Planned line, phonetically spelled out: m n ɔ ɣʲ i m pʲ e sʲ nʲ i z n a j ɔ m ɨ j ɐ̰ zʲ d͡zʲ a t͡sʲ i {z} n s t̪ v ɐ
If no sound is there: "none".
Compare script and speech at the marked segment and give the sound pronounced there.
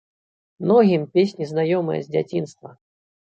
none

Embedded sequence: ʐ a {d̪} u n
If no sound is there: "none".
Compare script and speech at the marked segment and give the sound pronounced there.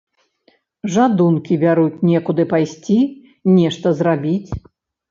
d̪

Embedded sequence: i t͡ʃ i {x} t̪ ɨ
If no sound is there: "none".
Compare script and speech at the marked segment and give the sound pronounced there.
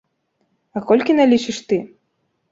ʂ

